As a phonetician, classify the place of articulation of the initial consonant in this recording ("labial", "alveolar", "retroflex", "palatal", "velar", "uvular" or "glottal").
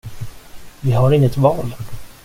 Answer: labial